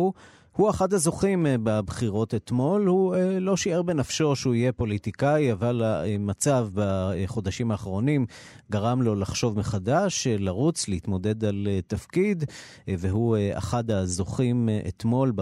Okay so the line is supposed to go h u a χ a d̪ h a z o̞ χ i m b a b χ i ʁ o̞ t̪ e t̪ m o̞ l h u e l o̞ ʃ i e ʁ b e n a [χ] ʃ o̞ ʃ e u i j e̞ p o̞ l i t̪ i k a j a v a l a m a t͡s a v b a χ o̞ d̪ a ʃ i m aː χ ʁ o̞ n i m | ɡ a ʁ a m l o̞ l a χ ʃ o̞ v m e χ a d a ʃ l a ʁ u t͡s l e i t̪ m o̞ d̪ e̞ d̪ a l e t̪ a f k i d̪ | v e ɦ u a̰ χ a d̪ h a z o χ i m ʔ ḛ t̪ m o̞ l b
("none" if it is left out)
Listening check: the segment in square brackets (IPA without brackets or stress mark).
f